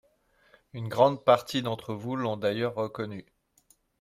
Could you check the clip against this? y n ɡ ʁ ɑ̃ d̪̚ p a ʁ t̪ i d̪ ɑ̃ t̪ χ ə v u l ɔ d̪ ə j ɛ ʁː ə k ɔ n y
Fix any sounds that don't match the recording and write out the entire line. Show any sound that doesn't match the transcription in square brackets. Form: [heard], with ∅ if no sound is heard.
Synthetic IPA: y n ɡ ʁ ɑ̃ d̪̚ p a ʁ t̪ i d̪ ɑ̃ t̪ χ ə v u l [ɔ̃] d̪ [a] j [œ] ʁː ə k ɔ n y